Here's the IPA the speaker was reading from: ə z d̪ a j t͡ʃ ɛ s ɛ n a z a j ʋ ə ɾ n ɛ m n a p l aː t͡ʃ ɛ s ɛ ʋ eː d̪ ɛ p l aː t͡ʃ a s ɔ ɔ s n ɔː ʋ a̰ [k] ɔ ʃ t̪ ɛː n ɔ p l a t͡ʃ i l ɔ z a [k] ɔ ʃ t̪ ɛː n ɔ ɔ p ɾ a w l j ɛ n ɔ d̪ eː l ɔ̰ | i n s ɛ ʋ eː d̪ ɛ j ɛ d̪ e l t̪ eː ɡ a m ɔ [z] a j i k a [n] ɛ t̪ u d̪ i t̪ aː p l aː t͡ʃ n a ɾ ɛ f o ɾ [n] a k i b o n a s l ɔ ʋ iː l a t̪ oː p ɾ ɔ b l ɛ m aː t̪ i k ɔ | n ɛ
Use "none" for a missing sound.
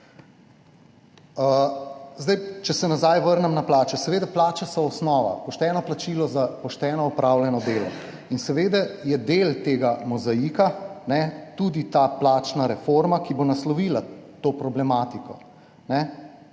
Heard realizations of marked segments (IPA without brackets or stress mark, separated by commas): p, p, z, n, m